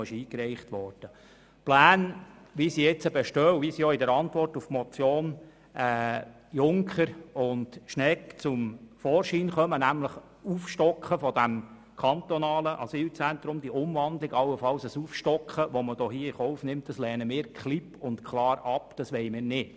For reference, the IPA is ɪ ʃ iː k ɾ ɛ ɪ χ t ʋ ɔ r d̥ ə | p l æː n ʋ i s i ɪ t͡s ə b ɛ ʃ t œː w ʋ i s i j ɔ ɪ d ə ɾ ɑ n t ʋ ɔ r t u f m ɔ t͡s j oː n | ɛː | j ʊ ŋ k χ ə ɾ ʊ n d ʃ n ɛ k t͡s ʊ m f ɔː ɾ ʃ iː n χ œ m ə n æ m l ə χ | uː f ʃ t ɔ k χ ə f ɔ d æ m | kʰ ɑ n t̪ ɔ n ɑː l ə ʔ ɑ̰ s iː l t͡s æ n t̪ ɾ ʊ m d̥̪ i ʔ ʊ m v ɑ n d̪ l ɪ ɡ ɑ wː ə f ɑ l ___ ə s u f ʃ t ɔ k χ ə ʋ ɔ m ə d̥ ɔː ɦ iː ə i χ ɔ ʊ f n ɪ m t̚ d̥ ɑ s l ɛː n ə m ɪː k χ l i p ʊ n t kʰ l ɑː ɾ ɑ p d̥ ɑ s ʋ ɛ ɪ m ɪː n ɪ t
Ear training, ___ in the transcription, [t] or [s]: s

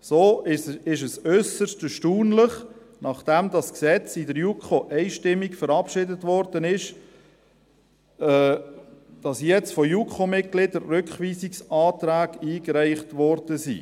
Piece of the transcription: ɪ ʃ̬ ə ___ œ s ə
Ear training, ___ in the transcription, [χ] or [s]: s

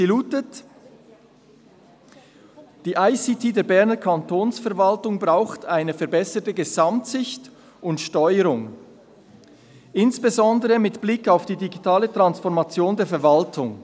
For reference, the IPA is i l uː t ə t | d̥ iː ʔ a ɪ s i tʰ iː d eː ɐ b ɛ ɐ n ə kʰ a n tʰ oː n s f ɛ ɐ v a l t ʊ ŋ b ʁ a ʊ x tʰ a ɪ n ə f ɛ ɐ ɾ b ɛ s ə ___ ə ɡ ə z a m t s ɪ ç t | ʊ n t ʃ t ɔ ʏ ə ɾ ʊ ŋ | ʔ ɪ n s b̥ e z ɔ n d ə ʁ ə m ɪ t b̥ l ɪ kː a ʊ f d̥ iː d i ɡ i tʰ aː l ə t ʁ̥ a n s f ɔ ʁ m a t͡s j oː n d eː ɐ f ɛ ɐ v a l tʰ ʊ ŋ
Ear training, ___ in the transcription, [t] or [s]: t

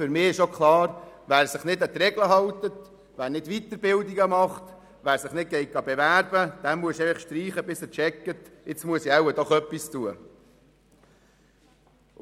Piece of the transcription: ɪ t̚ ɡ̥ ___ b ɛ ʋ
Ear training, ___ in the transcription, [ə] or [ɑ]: ɑ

